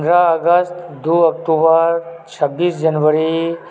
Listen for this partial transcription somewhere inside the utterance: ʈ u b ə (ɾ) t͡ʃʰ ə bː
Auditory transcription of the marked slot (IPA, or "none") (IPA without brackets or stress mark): ɾ